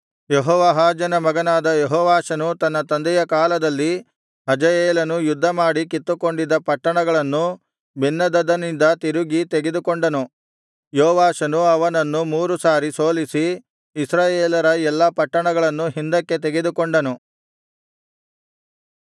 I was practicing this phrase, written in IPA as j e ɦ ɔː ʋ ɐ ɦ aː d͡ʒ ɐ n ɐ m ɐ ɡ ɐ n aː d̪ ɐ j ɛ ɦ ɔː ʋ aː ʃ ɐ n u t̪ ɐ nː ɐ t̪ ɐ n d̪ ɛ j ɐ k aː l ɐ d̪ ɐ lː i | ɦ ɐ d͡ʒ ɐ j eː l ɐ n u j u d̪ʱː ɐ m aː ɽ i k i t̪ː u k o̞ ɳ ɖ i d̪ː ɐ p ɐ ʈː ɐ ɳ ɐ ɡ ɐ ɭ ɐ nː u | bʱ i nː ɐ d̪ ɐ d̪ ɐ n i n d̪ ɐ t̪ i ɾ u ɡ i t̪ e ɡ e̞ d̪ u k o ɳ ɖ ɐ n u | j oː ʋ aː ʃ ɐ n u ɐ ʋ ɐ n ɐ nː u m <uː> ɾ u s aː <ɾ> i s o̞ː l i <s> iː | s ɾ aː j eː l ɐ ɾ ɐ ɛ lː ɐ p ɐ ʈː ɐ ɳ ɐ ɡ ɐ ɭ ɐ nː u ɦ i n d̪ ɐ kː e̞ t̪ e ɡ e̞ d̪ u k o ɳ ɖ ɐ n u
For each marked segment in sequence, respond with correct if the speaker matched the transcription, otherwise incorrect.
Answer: correct, correct, correct

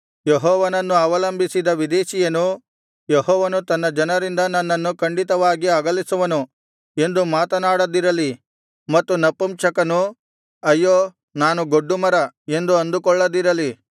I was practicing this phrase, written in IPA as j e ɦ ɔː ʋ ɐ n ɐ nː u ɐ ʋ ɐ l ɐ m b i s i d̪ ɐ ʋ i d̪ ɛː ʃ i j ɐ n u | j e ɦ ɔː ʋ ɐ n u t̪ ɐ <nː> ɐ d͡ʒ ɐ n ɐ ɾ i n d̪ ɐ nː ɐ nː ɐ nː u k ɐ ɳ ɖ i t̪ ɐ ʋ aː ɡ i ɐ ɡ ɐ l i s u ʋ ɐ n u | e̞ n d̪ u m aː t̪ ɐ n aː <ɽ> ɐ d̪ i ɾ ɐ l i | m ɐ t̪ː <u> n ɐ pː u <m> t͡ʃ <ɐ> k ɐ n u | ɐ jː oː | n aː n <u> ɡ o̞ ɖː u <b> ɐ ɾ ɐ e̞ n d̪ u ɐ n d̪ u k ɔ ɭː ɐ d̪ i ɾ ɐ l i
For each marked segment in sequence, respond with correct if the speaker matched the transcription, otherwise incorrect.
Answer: correct, correct, correct, correct, correct, correct, incorrect: m

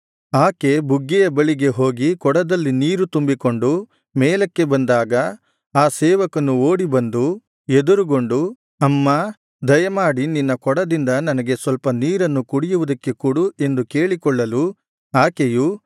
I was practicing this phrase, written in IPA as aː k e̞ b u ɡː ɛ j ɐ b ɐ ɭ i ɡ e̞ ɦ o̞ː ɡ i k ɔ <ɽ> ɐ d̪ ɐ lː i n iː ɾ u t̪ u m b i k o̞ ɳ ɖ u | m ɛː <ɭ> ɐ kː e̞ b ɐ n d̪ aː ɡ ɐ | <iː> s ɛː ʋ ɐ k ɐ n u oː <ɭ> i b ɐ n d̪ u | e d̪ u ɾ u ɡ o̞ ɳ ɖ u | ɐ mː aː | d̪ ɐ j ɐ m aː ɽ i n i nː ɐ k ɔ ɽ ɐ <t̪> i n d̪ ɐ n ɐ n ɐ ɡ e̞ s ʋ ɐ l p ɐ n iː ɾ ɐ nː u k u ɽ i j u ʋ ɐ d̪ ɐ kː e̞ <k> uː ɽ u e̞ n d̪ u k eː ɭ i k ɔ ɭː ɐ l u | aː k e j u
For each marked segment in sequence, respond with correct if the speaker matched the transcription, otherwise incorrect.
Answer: correct, incorrect: l, incorrect: aː, incorrect: ɽ, incorrect: d̪, correct

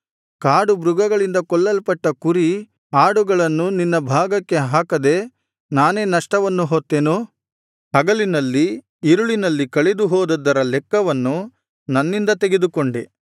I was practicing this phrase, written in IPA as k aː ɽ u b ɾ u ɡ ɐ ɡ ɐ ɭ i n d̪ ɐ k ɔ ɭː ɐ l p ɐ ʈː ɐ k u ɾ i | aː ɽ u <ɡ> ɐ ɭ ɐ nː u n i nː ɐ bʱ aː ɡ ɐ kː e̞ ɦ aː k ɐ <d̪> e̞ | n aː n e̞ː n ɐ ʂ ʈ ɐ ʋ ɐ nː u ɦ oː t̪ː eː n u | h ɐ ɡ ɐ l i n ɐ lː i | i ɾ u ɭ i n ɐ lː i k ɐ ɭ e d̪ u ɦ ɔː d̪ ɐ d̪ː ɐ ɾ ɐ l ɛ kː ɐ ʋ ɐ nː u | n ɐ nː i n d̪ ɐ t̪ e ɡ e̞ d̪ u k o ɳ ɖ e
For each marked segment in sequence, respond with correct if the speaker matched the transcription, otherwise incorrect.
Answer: correct, correct

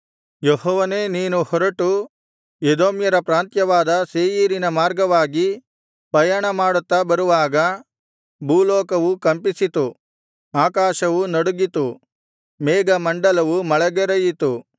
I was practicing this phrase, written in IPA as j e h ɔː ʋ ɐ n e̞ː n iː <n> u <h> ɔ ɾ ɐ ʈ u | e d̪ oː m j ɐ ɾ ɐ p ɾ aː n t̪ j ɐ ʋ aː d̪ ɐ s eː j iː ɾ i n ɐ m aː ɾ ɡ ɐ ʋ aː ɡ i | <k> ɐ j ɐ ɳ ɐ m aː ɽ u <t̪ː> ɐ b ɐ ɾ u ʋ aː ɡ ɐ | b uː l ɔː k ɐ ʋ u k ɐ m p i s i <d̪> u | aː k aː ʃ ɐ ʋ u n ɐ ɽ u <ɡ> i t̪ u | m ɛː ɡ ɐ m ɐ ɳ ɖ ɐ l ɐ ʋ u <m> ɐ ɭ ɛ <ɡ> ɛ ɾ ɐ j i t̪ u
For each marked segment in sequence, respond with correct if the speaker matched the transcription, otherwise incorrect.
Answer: correct, correct, incorrect: p, correct, incorrect: t̪, correct, correct, correct

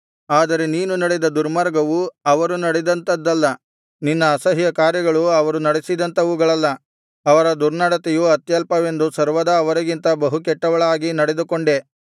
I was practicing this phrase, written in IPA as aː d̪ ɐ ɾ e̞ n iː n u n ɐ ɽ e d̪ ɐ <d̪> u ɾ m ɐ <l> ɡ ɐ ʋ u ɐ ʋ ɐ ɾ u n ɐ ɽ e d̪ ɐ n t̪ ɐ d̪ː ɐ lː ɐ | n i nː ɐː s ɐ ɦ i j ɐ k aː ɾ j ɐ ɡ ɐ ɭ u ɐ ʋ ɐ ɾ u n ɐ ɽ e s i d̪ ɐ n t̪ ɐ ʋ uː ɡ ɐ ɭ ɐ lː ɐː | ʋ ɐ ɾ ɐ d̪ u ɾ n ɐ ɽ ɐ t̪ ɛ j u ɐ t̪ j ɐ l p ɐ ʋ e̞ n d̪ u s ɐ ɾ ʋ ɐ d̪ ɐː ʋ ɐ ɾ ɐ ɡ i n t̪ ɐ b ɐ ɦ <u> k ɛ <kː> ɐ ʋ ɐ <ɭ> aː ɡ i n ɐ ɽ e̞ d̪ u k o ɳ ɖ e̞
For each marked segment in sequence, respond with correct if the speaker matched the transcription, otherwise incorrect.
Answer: correct, incorrect: ɾ, correct, incorrect: ʈː, correct

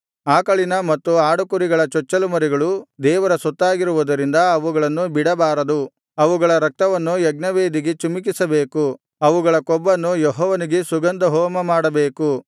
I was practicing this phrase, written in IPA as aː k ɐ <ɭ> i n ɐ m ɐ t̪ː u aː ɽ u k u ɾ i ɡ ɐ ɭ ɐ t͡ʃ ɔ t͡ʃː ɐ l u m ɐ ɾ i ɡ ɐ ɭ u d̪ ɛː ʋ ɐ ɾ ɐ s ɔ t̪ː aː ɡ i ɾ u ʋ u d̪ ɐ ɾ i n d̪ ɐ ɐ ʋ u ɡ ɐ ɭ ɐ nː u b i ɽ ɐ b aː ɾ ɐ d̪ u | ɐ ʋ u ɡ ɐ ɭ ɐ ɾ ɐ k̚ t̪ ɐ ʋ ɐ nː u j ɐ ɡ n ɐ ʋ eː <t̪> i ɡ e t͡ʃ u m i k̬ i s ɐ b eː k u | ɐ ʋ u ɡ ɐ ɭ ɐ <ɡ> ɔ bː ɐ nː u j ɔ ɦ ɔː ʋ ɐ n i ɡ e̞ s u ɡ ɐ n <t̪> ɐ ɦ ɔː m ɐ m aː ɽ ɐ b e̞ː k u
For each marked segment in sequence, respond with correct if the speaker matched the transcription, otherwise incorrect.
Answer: correct, incorrect: d̪, incorrect: k, incorrect: d̪

